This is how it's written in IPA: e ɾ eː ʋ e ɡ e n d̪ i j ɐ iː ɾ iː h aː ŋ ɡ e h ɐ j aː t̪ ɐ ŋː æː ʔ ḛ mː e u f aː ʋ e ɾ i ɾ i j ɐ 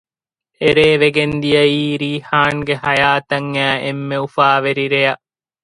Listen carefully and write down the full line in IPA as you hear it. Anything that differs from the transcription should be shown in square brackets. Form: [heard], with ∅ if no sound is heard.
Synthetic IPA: e ɾ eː ʋ e ɡ e n d̪ i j ɐ iː ɾ iː h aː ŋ ɡ e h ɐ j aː t̪ ɐ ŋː æː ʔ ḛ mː e u f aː ʋ e ɾ i ɾ [e] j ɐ